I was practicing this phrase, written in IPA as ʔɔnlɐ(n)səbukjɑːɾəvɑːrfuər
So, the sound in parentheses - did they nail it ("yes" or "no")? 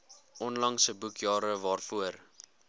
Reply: no